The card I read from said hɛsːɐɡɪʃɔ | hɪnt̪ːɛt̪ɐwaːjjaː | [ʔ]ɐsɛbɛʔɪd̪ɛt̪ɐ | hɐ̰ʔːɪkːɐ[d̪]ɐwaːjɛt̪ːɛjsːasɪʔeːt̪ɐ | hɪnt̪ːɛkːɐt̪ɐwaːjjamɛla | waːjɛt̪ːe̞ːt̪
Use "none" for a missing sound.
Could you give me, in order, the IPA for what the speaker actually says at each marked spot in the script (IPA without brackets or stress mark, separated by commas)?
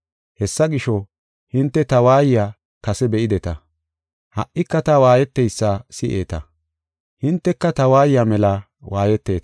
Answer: k, t̪